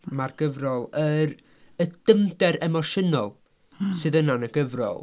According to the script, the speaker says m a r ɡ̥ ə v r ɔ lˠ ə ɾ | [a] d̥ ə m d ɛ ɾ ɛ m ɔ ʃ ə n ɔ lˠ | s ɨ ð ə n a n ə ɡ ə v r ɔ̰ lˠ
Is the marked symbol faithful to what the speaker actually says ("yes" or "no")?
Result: no